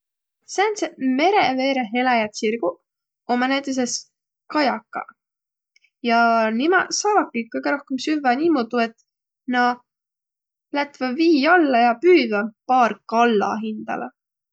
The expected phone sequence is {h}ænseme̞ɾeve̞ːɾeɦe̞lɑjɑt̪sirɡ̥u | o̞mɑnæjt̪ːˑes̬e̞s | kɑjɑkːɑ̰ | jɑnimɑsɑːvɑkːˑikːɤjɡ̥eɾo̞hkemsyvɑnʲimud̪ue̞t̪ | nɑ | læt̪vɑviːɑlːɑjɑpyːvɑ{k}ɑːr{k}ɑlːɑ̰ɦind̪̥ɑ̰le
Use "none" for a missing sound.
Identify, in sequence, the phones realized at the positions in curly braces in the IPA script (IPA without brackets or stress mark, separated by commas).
s, p, k